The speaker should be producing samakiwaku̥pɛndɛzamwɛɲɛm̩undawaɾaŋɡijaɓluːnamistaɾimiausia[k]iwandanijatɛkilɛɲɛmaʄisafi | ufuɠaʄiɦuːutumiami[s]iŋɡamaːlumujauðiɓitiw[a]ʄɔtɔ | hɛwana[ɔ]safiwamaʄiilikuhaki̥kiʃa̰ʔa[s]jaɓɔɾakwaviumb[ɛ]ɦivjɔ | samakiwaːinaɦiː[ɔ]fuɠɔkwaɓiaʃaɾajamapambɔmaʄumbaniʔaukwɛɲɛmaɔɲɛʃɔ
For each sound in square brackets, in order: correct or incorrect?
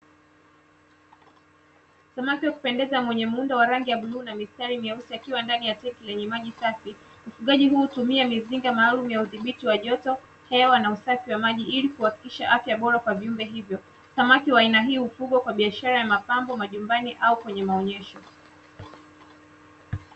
correct, incorrect, correct, incorrect, incorrect, correct, incorrect

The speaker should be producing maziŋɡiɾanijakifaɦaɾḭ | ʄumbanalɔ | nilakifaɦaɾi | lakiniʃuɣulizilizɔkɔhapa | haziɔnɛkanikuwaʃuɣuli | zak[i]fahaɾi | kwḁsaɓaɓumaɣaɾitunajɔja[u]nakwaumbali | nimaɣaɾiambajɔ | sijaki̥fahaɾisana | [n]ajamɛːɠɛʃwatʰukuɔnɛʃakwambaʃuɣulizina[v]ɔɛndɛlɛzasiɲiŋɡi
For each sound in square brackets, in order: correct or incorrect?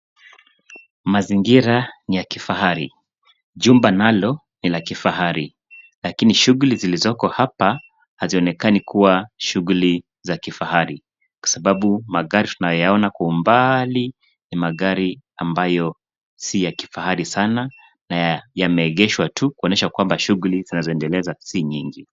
correct, incorrect, correct, incorrect

